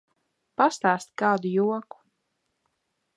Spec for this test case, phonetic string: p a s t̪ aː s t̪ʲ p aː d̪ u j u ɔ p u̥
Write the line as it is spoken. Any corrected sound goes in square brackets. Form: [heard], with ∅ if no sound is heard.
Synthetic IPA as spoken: p a s t̪ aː s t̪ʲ [k] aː d̪ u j u ɔ [k] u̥